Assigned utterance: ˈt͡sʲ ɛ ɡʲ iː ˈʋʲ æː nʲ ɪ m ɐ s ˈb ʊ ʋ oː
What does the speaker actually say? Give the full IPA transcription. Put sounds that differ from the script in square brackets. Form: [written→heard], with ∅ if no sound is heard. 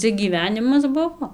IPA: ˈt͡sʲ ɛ ɡʲ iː ˈʋʲ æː nʲ ɪ m ɐ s ˈb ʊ ʋ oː